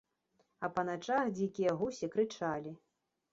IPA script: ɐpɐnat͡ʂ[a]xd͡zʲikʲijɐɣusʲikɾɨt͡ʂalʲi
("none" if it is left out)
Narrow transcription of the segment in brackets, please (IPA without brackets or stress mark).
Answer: a